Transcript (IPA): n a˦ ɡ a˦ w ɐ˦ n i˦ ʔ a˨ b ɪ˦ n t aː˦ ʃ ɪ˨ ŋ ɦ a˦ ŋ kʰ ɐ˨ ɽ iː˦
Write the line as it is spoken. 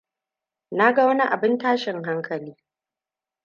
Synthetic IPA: n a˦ ɡ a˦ w ɐ˦ n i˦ ʔ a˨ b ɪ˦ n t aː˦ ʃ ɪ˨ ŋ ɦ a˦ ŋ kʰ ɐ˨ l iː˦